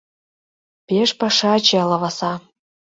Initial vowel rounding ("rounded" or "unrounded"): unrounded